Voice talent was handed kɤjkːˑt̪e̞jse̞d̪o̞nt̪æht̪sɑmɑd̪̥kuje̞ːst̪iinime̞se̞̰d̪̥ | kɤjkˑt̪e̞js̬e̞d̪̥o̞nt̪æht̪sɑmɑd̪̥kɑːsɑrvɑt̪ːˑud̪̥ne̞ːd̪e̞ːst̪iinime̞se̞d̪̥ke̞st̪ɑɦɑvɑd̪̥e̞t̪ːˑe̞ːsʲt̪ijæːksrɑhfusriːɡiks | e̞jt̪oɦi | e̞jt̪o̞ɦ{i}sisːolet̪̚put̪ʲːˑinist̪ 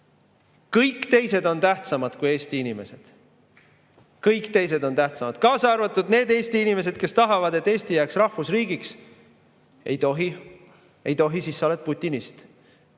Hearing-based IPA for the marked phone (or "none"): i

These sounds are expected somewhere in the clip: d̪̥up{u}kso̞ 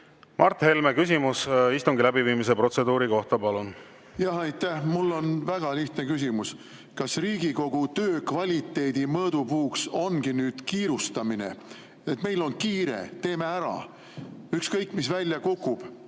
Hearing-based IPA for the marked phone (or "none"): uː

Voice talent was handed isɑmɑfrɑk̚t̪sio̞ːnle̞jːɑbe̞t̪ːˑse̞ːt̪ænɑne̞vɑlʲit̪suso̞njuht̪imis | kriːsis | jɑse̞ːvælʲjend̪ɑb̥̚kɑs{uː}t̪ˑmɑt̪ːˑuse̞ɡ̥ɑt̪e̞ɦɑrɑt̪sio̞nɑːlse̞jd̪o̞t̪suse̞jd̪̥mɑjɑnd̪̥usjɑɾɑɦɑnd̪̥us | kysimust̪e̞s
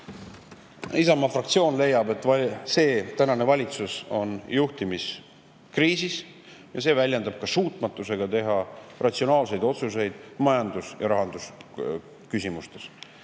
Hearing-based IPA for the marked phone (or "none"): uː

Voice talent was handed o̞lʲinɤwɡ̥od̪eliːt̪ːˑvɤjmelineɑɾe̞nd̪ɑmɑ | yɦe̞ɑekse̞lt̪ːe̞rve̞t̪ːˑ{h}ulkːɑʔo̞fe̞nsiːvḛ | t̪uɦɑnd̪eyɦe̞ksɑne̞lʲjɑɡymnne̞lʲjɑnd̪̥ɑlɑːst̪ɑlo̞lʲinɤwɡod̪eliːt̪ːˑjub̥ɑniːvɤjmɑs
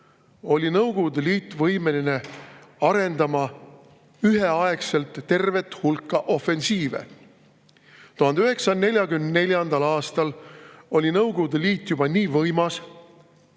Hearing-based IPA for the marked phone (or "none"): h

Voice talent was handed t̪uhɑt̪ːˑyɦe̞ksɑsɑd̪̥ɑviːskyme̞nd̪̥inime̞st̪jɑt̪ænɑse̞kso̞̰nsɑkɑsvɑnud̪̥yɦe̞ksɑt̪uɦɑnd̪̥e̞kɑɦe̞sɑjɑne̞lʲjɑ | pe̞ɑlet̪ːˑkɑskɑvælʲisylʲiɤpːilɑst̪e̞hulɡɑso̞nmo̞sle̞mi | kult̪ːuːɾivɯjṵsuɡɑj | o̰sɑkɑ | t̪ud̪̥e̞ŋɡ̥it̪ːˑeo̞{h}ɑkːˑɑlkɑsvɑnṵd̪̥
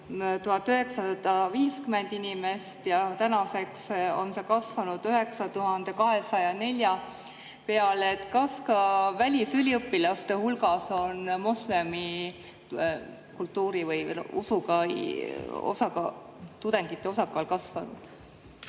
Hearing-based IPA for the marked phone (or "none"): s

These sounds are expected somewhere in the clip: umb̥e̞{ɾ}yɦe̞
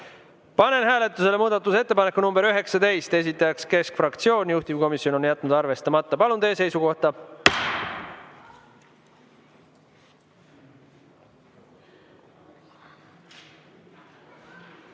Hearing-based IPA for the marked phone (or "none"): ɾ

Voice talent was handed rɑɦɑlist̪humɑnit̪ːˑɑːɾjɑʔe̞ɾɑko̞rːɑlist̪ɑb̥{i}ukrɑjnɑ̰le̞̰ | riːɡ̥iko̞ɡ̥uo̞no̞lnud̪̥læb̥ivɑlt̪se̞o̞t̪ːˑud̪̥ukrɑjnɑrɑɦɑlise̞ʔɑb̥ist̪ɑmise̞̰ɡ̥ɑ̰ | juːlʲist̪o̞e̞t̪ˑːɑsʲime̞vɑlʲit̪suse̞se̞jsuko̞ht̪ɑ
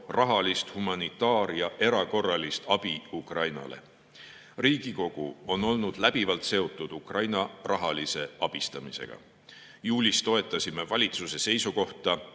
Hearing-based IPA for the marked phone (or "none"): i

